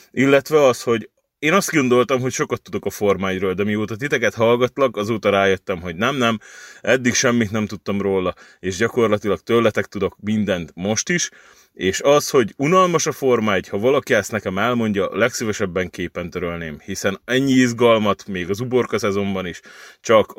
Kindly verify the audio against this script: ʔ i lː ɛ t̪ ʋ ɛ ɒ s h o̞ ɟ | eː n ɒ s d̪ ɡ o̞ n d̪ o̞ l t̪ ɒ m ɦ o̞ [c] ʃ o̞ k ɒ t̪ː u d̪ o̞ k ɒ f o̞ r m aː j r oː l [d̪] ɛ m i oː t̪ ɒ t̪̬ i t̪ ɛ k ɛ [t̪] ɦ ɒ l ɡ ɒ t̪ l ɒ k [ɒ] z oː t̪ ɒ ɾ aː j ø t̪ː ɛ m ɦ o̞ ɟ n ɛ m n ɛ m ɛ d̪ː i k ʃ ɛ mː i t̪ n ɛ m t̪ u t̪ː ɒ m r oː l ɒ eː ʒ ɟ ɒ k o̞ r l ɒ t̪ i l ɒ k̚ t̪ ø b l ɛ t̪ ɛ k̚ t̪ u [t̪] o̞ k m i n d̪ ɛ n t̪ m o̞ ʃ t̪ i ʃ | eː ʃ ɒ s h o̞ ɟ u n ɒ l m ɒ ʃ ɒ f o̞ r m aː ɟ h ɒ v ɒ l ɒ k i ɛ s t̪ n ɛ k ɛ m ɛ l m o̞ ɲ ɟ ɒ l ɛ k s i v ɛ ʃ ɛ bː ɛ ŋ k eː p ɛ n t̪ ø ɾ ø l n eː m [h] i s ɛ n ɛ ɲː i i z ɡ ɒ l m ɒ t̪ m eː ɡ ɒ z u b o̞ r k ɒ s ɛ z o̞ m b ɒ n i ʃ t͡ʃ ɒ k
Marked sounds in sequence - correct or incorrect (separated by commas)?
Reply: correct, correct, correct, correct, incorrect, correct